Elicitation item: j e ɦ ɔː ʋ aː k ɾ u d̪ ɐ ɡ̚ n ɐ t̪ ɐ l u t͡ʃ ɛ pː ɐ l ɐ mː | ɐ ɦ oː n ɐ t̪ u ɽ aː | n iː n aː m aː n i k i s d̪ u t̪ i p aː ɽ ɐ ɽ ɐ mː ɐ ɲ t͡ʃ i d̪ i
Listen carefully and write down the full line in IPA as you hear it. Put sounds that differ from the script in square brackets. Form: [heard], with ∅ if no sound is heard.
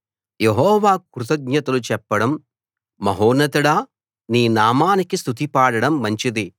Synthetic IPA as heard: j e ɦ ɔː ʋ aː k ɾ u [t̪] ɐ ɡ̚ [ɲ] ɐ t̪ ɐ l u t͡ʃ ɛ pː ɐ [ɽ] ɐ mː | ɐ ɦ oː n ɐ t̪ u ɽ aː | n iː n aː m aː n i k i s [t̪] u t̪ i p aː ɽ ɐ ɽ ɐ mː ɐ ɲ t͡ʃ i d̪ i